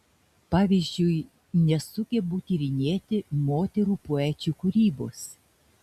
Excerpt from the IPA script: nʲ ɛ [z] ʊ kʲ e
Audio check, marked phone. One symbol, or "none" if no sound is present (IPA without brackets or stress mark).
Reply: s